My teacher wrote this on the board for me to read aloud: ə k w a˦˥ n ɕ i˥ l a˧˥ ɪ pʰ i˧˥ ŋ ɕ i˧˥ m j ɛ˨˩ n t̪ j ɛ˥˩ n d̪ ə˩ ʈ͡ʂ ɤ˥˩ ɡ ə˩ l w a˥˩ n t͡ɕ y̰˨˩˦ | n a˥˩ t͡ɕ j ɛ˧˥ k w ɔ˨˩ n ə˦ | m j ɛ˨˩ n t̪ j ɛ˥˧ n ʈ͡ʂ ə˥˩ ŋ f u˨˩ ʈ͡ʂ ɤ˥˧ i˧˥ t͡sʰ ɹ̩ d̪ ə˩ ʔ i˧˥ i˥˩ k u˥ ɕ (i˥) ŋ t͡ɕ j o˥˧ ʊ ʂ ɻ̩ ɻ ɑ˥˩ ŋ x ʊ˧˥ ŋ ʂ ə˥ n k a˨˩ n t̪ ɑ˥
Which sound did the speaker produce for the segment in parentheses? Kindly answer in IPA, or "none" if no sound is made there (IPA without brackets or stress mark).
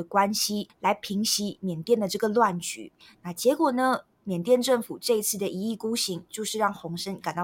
i˧˥